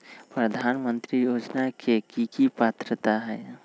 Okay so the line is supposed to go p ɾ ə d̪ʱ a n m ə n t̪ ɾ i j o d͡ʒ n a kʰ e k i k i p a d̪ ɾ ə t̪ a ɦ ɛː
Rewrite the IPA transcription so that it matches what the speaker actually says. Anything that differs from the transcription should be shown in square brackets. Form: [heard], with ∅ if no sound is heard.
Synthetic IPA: p ɾ ə d̪ʱ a n m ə n t̪ ɾ i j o d͡ʒ n a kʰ e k i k i p a [t̪] ɾ ə t̪ a ɦ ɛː